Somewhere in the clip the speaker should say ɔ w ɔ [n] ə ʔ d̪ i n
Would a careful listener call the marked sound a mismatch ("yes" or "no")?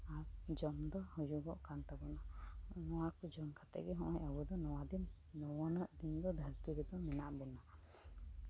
no